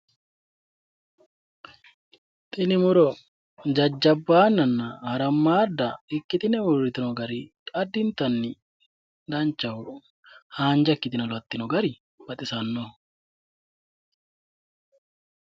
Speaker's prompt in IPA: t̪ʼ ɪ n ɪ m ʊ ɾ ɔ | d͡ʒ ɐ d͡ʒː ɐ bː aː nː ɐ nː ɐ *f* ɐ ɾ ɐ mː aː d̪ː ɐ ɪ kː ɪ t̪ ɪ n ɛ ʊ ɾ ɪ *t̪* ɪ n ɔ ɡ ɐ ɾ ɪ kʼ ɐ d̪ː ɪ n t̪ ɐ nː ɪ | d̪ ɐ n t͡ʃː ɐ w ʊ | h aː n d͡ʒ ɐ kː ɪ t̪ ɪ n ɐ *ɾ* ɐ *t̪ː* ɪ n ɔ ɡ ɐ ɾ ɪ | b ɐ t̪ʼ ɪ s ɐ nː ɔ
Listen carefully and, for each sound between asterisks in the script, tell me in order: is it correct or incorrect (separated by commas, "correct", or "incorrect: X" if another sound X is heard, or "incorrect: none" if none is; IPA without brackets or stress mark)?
incorrect: h, correct, incorrect: l, correct